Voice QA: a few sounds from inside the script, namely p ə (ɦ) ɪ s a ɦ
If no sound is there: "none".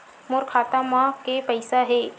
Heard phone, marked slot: none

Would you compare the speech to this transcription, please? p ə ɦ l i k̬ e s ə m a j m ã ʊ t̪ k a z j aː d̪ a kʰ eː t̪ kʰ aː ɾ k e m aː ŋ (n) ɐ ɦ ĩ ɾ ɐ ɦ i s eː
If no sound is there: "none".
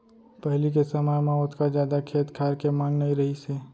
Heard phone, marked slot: n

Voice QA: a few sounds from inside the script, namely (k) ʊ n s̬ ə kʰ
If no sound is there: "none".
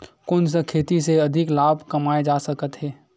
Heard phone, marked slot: k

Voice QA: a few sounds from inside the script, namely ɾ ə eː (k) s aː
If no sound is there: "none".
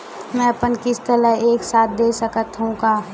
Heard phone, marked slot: k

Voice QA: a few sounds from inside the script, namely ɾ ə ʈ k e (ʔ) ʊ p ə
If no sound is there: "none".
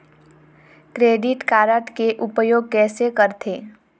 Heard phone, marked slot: ʔ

